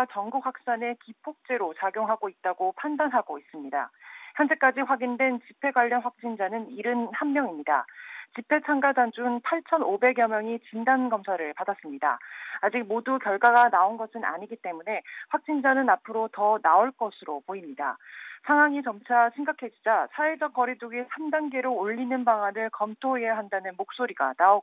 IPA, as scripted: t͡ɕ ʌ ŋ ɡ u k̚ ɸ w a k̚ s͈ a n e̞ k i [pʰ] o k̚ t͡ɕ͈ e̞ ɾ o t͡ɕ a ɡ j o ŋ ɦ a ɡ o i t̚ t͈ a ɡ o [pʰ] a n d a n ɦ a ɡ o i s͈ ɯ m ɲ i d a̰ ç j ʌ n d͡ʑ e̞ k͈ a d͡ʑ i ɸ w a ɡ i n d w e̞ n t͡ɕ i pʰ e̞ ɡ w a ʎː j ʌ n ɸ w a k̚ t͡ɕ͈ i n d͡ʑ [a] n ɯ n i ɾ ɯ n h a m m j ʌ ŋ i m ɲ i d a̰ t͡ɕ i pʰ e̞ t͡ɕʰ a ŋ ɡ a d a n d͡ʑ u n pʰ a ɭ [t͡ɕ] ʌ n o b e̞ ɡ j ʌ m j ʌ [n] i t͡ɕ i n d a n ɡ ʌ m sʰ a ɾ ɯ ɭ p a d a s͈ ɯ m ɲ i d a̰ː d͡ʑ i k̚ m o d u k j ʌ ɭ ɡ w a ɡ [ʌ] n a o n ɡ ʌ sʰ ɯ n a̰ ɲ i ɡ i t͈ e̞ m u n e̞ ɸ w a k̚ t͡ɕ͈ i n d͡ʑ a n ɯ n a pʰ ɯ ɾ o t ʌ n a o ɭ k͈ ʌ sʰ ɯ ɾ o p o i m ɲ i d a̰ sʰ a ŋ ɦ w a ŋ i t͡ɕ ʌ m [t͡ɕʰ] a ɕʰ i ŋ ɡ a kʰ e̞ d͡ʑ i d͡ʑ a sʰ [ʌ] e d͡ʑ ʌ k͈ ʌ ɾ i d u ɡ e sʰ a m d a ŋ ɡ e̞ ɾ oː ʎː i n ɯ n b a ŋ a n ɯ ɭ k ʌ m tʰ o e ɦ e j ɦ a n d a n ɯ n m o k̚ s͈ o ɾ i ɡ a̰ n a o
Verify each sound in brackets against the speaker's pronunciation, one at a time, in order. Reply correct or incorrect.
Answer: correct, correct, correct, incorrect: t͡ɕʰ, incorrect: ŋ, incorrect: a, correct, incorrect: a

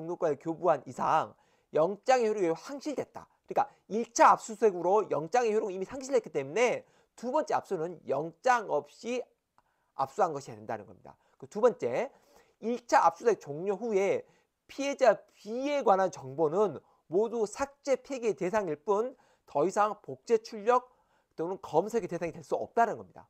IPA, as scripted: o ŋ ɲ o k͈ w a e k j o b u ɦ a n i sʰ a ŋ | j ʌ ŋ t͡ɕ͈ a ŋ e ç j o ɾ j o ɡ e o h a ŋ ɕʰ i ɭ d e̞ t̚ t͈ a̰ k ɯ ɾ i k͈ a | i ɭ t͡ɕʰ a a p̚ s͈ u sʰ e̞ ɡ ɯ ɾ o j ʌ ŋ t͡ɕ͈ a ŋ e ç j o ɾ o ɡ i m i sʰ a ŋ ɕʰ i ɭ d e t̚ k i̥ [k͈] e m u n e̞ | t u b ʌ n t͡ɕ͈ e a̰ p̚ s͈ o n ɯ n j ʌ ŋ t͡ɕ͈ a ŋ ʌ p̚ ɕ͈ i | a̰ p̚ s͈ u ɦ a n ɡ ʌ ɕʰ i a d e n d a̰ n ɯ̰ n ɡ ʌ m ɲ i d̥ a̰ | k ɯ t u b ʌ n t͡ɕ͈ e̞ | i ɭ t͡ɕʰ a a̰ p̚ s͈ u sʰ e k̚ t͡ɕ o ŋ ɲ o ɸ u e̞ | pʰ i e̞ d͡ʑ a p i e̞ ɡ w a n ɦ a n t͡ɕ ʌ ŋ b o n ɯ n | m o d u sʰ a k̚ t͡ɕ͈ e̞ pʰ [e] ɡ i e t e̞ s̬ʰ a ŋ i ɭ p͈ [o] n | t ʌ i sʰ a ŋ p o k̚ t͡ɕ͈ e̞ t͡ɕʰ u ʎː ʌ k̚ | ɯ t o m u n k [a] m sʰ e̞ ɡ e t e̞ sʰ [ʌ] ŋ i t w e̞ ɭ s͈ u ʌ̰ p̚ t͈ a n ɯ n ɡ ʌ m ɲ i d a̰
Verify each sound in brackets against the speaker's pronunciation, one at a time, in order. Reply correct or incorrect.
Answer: incorrect: t͈, correct, incorrect: u, incorrect: ʌ, incorrect: a

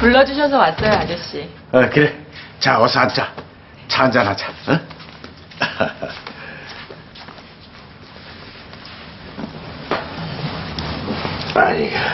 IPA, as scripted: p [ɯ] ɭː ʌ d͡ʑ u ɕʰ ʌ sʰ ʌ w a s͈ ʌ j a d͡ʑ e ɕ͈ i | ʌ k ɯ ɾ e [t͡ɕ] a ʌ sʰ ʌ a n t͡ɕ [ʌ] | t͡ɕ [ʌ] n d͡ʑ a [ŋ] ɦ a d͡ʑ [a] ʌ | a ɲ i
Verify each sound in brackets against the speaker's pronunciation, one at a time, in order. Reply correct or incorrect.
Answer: incorrect: u, correct, incorrect: a, incorrect: a, incorrect: n, correct

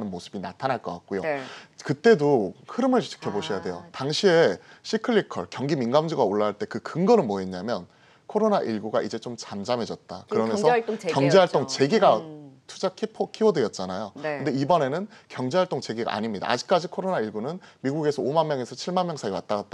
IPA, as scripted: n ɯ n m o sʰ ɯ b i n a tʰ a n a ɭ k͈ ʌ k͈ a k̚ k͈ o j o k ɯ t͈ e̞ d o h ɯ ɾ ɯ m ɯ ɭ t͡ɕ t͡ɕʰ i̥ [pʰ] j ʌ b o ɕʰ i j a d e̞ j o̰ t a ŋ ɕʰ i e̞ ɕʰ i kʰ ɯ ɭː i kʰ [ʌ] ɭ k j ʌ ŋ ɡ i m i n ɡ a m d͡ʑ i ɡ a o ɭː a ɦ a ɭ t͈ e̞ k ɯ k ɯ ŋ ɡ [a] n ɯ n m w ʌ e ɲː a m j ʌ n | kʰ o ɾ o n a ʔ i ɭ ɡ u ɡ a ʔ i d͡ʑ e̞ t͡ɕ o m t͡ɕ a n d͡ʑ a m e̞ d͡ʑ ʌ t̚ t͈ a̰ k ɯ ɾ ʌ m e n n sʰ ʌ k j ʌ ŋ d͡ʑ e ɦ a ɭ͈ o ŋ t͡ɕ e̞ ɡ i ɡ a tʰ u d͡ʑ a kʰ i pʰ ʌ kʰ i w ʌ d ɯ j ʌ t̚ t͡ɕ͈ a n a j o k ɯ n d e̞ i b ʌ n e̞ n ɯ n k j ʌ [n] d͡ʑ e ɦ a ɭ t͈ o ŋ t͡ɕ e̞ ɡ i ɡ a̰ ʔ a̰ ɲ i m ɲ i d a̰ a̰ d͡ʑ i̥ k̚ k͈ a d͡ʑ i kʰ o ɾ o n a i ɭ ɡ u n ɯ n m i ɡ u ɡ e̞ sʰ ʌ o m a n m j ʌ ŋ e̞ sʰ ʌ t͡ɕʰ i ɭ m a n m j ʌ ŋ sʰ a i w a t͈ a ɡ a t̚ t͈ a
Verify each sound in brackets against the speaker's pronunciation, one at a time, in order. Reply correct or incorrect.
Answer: incorrect: kʰ, correct, incorrect: ʌ, incorrect: ŋ

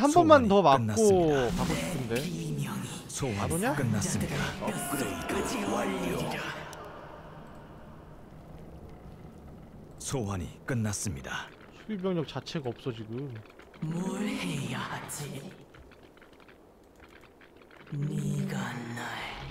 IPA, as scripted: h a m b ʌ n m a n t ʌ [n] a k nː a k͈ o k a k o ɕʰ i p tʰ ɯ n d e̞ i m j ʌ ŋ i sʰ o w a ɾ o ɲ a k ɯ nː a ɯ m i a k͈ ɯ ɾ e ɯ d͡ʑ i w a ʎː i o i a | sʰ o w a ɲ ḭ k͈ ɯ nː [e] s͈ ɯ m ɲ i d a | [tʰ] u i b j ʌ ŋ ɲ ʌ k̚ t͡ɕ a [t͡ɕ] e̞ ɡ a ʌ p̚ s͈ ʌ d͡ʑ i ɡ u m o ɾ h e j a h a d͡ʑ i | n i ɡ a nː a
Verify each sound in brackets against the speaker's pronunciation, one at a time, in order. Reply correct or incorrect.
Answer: incorrect: m, incorrect: a, incorrect: sʰ, incorrect: t͡ɕʰ

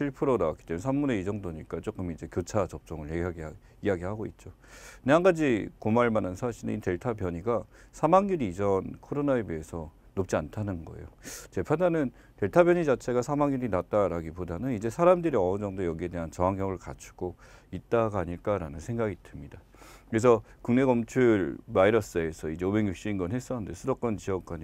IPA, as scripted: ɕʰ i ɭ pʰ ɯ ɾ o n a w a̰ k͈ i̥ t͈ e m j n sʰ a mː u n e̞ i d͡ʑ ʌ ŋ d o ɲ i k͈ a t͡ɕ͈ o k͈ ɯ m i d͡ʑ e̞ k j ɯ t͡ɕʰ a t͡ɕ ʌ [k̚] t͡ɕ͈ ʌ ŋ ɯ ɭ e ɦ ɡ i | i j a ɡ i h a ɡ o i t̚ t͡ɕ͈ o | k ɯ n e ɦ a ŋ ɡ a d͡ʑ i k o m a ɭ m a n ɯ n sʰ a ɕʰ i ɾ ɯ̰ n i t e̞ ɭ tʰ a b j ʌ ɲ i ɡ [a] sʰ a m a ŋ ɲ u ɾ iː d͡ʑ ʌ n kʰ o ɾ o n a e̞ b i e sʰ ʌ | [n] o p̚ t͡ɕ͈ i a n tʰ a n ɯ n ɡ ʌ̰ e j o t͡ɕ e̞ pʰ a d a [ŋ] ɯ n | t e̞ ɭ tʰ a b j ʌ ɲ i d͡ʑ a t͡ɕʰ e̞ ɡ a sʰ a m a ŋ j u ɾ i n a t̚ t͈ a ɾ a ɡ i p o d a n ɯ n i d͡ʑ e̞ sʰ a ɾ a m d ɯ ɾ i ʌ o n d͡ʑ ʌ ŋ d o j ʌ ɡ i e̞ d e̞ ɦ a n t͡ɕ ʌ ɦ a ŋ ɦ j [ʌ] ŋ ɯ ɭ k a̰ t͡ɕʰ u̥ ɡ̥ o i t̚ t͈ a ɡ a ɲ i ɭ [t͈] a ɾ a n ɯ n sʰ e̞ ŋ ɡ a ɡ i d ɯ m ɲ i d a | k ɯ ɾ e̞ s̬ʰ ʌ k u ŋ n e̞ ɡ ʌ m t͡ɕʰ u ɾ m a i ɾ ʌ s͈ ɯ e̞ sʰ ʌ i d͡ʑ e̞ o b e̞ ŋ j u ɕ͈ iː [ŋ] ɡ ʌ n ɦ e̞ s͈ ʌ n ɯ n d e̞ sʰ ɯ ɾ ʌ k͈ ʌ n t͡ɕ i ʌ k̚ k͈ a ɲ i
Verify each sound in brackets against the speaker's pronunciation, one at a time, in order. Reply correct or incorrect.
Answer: incorrect: p̚, correct, correct, incorrect: n, correct, incorrect: k͈, incorrect: n

